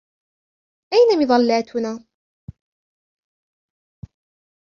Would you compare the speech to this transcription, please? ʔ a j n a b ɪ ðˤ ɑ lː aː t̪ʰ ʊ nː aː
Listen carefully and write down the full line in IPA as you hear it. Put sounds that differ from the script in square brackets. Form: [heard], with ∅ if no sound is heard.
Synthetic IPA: ʔ a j n a [m] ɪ ðˤ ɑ lː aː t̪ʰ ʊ [n] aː